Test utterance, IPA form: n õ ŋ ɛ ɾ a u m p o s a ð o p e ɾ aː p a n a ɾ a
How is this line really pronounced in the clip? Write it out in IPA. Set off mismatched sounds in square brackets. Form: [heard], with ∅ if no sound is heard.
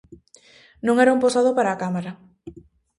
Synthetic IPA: n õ ŋ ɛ ɾ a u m p o s a ð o p [a] ɾ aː [k] a [m] a ɾ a

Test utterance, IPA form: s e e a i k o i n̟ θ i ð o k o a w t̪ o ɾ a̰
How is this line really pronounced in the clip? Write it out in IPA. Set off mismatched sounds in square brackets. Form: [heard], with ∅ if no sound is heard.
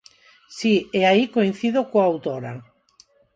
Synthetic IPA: s [i] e a i k o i n̟ θ i ð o k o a w t̪ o ɾ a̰

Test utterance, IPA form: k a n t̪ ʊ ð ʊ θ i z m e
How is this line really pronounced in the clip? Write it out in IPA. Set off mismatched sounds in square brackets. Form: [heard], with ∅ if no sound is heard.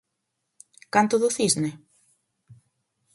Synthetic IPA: k a n t̪ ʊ ð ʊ θ i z [n] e

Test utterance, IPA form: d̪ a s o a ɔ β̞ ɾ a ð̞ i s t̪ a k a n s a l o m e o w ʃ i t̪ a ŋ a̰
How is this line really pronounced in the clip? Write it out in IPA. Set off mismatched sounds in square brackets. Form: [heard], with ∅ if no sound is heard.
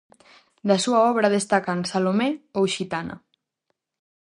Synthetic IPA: d̪ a s [u] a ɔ β̞ ɾ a ð̞ [e] s t̪ a k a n s a l o m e o w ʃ i t̪ a [n] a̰

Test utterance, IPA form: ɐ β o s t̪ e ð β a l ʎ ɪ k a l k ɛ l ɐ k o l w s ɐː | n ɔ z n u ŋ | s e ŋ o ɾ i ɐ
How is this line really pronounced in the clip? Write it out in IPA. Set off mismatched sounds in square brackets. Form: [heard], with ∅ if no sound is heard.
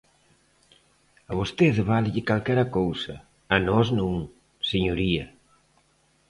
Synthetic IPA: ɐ β o s t̪ e ð β a l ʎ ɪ k a l k ɛ [ɾ] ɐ k o [∅] w s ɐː | n ɔ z n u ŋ | s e [ɲ] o ɾ i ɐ

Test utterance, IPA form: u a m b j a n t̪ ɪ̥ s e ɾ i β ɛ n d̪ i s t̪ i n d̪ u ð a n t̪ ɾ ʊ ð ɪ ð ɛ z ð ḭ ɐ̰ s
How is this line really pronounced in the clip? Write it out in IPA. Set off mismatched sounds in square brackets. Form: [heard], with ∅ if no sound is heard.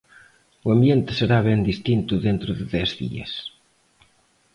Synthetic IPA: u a m b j [e] n t̪ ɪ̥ s e ɾ [a] β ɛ n d̪ i s t̪ i n [t̪] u ð [e] n t̪ ɾ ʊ ð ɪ ð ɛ z ð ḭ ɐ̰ s

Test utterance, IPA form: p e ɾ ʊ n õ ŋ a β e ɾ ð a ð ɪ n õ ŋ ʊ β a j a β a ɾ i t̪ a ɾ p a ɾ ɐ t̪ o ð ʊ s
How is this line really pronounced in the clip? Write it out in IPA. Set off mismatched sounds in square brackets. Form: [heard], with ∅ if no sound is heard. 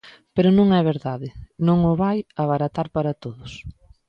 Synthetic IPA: p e ɾ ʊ n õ ŋ [ɛ] β e ɾ ð a ð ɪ n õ ŋ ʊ β a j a β a ɾ [a] t̪ a ɾ p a ɾ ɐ t̪ o ð ʊ s

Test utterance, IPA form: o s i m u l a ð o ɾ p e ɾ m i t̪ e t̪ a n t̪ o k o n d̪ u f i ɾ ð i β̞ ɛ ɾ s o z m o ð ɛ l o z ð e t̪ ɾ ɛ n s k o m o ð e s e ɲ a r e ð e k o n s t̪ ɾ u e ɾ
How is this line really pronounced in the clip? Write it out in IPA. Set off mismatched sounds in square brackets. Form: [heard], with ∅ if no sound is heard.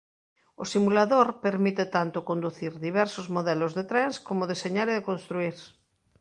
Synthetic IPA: o s i m u l a ð o ɾ p e ɾ m i t̪ e t̪ a n t̪ o k o n d̪ u [θ] i ɾ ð i β̞ ɛ ɾ s o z m o ð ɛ l o z ð e t̪ ɾ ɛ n s k o m o ð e s e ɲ a [ɾ] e ð e k o n s t̪ ɾ u [i] ɾ

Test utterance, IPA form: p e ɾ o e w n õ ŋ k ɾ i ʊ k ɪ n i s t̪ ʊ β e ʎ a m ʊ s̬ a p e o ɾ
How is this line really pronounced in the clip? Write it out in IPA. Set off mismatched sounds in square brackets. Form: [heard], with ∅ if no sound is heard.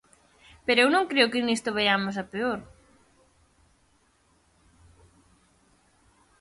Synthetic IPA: p e ɾ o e w n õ ŋ k ɾ [e] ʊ k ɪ n i s t̪ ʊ β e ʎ a m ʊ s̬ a p e o ɾ

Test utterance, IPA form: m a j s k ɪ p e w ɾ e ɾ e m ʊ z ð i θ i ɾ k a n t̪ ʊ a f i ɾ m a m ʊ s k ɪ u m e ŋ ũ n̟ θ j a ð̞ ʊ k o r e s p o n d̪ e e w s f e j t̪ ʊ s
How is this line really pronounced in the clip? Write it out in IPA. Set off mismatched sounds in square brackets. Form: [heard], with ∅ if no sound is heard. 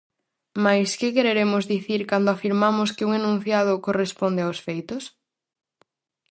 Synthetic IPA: m a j s k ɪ [k] e [∅] ɾ e ɾ e m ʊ z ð i θ i ɾ k a n [d̪] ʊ a f i ɾ m a m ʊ s k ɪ u [ŋ] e [n] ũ n̟ θ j a ð̞ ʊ k o r e s p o n d̪ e [a] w s f e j t̪ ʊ s

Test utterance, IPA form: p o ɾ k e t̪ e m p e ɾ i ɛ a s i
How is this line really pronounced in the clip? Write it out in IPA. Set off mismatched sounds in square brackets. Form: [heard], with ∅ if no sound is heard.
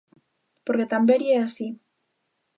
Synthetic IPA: p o ɾ k e t̪ [a] m [b] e ɾ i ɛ a s i

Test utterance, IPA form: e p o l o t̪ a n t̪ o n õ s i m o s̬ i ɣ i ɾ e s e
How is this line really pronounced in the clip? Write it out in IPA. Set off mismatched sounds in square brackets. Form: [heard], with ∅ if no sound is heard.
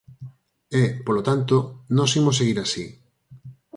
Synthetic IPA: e p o l o t̪ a n t̪ o n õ s i m o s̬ [e] ɣ i ɾ [a] s [i]

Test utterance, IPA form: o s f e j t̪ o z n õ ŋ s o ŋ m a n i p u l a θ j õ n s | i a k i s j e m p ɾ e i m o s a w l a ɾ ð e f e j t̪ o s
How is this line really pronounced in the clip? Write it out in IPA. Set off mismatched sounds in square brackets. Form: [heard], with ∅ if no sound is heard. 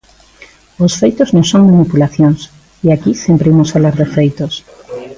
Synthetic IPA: o s f e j t̪ o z n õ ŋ s o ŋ m a n i p u l a θ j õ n s | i a k i s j e m p ɾ e i m o s a [β] l a ɾ ð e f e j t̪ o s

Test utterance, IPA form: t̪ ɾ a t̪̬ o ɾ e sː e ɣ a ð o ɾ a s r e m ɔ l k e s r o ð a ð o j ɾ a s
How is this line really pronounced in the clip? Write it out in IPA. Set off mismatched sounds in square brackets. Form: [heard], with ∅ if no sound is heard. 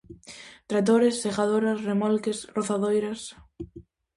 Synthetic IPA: t̪ ɾ a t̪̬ o ɾ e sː e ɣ a ð o ɾ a s r e m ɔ l k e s r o [θ] a ð o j ɾ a s

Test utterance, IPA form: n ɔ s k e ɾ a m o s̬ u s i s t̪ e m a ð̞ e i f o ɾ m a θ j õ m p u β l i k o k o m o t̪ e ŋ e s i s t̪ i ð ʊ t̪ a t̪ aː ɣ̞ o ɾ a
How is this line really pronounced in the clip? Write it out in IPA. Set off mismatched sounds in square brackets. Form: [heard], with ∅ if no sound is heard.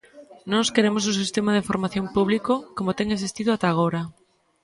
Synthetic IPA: n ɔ s k e ɾ [e] m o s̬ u s i s t̪ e m a ð̞ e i f o ɾ m a θ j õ m p u β l i k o k o m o t̪ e ŋ e s i s t̪ i ð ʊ [∅] a t̪ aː ɣ̞ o ɾ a

